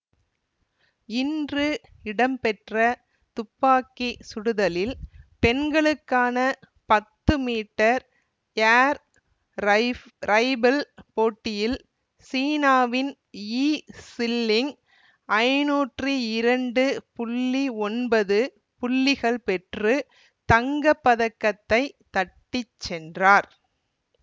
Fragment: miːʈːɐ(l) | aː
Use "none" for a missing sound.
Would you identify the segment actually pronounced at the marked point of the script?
ɾ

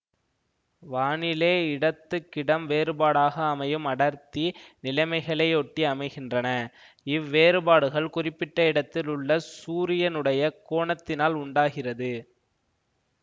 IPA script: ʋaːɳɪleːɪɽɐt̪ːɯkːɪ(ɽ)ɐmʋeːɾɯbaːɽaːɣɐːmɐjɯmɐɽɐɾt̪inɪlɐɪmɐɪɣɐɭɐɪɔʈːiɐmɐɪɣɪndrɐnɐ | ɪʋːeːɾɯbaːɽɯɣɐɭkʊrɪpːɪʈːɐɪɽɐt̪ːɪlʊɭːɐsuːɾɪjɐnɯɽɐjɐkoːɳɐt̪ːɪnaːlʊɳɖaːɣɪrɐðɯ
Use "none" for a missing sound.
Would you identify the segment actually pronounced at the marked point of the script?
ɽ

